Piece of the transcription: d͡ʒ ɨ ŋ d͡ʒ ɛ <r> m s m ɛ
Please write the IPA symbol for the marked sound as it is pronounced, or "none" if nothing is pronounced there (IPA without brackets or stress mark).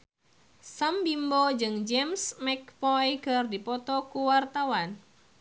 none